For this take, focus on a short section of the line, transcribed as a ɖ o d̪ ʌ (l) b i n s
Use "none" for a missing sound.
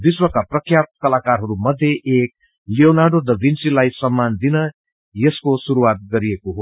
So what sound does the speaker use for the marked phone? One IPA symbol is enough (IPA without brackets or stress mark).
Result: none